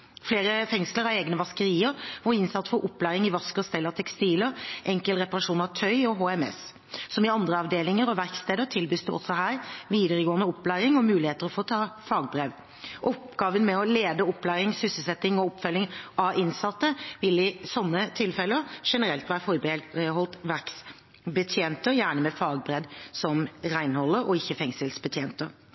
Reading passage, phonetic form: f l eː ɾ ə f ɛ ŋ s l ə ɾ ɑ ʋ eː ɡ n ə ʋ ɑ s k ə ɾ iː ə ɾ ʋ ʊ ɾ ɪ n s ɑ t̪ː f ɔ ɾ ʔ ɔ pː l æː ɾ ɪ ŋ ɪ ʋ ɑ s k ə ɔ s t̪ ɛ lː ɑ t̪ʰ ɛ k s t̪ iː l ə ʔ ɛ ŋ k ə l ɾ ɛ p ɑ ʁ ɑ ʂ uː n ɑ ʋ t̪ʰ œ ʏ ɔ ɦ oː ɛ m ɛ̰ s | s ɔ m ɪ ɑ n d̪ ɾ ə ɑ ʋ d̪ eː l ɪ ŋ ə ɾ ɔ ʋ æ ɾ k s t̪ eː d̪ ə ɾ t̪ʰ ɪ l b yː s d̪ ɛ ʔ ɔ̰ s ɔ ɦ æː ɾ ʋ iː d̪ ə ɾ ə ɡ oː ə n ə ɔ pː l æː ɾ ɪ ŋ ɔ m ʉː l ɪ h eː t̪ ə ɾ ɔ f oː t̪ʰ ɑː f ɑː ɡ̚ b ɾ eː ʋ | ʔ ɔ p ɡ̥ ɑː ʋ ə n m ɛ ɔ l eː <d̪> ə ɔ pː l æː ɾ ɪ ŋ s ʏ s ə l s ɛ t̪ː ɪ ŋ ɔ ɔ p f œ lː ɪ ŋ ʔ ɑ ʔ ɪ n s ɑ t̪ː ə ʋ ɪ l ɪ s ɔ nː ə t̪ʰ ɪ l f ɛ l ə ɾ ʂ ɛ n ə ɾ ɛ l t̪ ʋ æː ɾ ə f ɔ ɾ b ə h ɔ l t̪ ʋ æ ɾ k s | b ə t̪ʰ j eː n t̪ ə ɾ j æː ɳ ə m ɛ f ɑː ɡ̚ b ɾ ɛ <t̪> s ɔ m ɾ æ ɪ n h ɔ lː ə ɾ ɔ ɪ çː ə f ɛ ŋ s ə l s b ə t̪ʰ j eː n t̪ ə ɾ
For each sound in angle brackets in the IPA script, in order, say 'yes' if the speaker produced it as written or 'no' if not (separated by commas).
yes, no